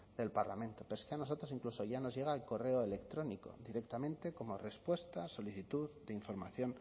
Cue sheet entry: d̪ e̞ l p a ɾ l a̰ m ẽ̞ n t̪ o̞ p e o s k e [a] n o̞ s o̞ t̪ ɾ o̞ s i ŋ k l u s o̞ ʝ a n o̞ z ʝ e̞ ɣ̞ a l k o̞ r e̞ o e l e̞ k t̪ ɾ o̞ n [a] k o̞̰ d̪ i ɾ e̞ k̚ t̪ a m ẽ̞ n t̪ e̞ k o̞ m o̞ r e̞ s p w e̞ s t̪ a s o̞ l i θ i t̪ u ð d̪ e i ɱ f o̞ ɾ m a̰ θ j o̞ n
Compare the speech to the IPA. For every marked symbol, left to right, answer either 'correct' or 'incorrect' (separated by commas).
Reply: correct, incorrect